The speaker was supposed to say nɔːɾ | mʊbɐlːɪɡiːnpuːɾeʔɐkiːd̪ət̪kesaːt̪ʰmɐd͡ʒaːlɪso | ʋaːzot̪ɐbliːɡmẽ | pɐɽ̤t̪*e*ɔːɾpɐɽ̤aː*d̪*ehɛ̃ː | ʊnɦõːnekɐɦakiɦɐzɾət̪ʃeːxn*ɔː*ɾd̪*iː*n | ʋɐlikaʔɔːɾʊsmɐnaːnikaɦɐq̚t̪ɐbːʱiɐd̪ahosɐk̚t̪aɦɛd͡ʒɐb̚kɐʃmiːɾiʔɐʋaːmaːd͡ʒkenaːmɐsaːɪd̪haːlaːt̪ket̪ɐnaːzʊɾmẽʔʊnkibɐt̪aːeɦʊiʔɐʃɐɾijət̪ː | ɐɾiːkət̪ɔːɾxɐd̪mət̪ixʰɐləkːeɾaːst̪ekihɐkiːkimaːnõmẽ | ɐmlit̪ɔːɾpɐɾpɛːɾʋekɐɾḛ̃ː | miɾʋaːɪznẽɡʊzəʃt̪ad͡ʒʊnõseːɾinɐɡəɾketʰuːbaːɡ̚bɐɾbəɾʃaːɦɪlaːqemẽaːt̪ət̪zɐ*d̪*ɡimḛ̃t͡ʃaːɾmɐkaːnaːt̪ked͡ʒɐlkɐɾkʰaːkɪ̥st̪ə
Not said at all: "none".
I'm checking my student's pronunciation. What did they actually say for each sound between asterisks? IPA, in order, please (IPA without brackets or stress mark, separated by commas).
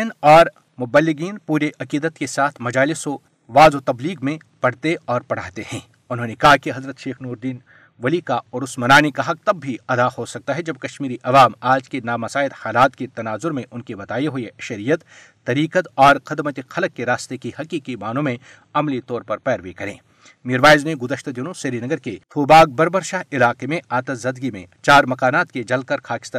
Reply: e, t̪, uː, iː, d̪